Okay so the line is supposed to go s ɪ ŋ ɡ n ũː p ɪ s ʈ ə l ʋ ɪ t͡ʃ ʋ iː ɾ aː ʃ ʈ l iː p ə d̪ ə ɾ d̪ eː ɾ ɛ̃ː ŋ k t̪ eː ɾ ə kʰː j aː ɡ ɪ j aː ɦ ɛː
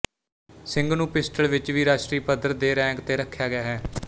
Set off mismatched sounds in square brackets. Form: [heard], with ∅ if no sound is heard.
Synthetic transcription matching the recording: s ɪ ŋ ɡ n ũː p ɪ s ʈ ə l ʋ ɪ t͡ʃ ʋ iː ɾ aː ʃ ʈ [ɾ] iː p ə d̪ ə ɾ d̪ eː ɾ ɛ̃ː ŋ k t̪ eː ɾ ə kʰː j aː ɡ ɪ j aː ɦ ɛː